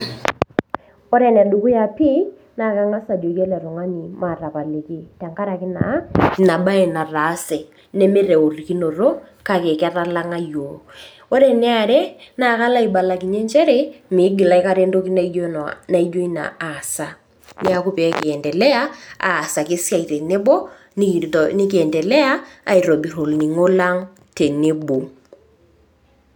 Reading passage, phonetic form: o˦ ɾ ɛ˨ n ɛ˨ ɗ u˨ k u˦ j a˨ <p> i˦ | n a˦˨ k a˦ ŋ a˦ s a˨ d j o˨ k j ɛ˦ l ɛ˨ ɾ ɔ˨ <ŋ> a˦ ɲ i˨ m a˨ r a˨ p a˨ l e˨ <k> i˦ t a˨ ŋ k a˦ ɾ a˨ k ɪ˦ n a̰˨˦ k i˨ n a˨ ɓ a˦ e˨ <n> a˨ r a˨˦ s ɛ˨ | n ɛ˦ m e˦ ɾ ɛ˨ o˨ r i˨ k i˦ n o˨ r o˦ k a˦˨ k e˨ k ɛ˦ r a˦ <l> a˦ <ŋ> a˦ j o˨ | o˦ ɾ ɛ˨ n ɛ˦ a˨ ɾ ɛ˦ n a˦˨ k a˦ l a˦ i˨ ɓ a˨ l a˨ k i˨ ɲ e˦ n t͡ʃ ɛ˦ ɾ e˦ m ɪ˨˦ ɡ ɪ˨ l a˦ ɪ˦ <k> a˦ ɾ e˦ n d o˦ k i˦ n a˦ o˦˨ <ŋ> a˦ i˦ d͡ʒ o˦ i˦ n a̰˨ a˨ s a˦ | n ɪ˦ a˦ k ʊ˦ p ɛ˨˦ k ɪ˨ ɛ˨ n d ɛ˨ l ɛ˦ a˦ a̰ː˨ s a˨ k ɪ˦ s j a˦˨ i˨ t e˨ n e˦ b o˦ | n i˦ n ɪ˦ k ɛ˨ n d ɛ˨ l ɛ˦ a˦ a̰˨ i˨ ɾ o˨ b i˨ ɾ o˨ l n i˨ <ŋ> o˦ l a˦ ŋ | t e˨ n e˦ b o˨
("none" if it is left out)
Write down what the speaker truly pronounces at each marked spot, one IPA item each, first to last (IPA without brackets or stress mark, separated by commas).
p, ŋ, k, n, l, ŋ, k, n, ŋ